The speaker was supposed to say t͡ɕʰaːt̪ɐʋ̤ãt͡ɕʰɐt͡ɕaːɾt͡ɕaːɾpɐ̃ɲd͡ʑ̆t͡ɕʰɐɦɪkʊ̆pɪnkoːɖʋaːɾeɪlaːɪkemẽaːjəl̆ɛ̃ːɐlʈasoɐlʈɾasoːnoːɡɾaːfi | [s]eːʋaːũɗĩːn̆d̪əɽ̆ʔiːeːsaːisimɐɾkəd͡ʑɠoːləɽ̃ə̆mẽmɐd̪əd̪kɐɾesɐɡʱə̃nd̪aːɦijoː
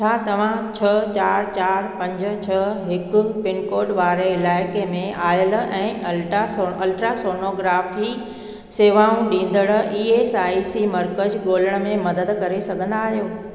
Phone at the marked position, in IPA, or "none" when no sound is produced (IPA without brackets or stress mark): s